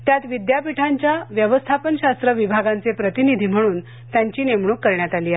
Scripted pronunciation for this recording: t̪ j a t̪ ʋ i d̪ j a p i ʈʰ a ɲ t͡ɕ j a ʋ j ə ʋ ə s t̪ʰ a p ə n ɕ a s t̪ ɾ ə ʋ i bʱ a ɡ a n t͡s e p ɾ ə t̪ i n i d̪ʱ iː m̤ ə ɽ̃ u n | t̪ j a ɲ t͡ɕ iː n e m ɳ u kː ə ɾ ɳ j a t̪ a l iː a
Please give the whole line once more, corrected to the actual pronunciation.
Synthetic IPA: t̪ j a t̪ ʋ i d̪ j a p i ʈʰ a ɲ t͡ɕ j a ʋ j ə ʋ ə s t̪ʰ a p ə n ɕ a s t̪ ɾ ə ʋ i bʱ a ɡ a n t͡s e p ɾ ə t̪ i n i d̪ʱ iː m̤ ə ɽ̃ uː n | t̪ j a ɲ t͡ɕ iː n e m ɳ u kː ə ɾ ɳ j a t̪ a l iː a

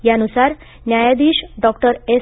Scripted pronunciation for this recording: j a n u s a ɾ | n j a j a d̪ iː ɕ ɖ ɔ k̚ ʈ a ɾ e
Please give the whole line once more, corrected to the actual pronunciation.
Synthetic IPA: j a n u s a ɾ | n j a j a d̪ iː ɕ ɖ ɔ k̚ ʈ ə ɾ e

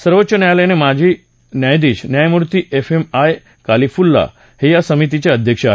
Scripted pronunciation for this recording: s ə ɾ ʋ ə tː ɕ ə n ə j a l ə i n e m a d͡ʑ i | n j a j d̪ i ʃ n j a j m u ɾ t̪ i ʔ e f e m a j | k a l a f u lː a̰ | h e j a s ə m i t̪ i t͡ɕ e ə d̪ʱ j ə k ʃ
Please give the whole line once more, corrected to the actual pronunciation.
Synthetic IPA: s ə ɾ ʋ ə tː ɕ ə n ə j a l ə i n e m a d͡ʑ i | n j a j d̪ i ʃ n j a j m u ɾ t̪ i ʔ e f e m a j | k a l i f u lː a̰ | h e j a s ə m i t̪ i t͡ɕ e ə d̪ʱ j ə k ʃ

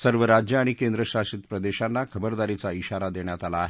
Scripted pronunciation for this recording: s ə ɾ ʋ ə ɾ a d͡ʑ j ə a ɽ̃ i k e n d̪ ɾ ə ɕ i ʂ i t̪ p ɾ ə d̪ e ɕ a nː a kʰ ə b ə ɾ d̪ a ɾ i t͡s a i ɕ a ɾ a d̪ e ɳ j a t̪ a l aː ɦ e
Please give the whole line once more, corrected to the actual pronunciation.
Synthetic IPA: s ə ɾ ʋ ə ɾ a d͡ʑ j ə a ɽ̃ i k e n d̪ ɾ ə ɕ a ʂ i t̪ p ɾ ə d̪ e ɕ a nː a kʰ ə b ə ɾ d̪ a ɾ i t͡s a i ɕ a ɾ a d̪ e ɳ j a t̪ a l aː ɦ e

